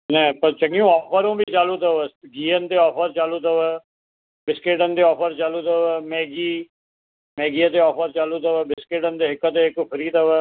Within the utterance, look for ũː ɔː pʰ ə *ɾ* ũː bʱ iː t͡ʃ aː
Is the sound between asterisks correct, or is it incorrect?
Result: correct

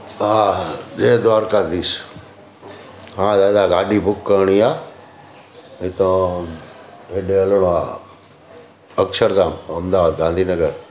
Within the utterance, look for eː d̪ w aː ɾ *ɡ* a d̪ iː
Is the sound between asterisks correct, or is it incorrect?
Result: incorrect: k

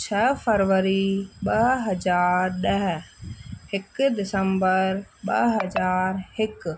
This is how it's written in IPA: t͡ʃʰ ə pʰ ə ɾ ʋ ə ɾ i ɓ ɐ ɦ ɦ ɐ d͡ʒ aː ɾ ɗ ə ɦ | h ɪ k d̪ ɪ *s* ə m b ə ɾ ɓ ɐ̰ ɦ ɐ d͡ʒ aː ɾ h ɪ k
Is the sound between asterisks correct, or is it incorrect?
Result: correct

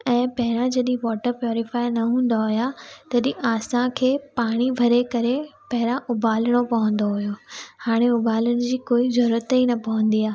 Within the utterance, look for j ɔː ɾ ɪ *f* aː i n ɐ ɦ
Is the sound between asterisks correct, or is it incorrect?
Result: correct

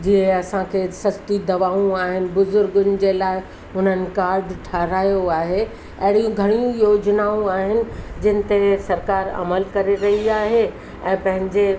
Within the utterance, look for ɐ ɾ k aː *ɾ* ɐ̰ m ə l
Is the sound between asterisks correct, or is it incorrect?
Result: correct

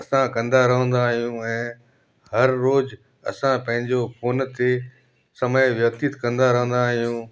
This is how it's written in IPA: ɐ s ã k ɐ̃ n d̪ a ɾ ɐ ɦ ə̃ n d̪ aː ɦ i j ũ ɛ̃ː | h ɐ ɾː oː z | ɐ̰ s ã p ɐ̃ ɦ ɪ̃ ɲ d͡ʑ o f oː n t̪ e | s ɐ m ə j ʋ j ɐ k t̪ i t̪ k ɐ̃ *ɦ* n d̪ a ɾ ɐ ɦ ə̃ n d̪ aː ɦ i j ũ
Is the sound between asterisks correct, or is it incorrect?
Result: incorrect: none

